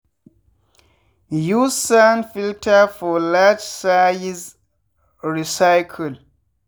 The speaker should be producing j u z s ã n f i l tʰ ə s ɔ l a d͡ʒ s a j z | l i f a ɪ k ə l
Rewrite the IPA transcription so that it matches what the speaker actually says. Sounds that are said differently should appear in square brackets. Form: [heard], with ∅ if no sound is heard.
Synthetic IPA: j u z s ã n f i l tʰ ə [f] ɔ l a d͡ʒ s a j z | [ɹ] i [s] a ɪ [kʰ] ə l